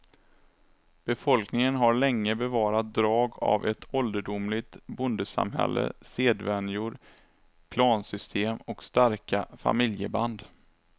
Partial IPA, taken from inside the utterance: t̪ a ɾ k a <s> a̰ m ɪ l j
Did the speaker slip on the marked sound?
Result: yes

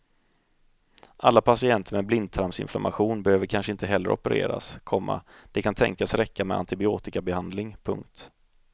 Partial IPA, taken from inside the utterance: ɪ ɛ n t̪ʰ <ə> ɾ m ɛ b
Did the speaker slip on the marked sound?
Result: no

